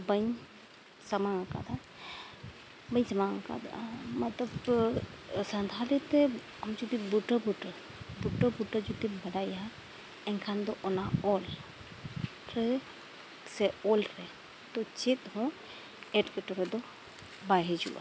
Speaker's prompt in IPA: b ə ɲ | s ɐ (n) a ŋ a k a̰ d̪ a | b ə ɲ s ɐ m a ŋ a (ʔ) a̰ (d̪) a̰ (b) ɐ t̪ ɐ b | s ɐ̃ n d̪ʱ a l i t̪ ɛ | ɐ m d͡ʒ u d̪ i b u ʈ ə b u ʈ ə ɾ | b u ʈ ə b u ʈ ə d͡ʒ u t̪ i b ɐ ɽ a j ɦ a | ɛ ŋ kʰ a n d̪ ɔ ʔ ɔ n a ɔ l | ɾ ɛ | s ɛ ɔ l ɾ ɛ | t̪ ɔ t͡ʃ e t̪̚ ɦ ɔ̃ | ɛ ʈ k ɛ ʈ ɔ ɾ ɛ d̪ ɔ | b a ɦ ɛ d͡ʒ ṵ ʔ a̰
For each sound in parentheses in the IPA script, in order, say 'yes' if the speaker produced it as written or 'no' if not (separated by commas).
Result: no, no, yes, no